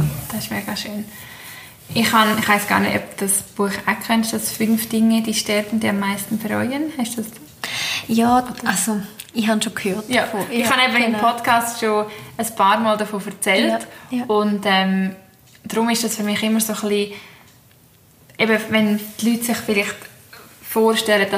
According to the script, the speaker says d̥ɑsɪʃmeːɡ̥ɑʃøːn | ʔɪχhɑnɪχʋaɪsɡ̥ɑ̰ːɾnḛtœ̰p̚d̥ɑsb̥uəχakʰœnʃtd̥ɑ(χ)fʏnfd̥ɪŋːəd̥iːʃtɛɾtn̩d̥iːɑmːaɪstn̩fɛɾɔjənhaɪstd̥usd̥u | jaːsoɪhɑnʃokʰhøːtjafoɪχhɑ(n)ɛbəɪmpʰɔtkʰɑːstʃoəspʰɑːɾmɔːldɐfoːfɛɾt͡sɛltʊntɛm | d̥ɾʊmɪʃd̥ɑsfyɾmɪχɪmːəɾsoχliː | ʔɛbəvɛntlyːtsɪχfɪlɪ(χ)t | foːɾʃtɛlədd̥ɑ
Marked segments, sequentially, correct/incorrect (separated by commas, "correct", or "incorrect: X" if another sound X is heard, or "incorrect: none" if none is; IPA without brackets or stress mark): incorrect: s, correct, correct